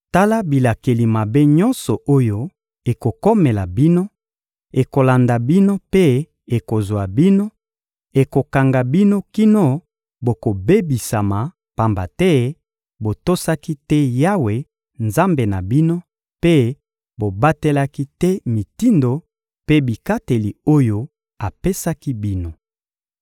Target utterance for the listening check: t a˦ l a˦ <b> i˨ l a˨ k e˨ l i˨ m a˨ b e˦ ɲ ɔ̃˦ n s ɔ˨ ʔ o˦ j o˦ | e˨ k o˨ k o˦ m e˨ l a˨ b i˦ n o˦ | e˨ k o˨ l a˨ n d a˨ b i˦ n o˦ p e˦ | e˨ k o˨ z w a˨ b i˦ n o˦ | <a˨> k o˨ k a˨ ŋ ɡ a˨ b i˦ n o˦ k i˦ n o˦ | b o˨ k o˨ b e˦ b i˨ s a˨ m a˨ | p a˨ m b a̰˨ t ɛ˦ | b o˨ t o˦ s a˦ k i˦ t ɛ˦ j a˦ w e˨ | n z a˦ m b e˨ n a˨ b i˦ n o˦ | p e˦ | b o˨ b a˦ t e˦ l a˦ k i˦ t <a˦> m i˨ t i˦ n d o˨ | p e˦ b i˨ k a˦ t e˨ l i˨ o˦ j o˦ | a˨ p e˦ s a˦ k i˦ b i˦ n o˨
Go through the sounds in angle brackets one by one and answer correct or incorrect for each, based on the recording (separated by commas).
correct, incorrect, incorrect